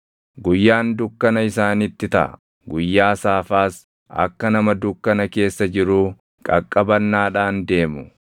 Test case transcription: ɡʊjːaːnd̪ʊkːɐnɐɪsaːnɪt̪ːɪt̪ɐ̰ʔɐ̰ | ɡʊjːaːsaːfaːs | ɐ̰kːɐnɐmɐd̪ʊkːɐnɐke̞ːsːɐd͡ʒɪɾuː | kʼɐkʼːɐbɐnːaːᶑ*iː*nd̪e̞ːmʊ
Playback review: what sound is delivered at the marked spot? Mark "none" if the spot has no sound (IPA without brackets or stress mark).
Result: aː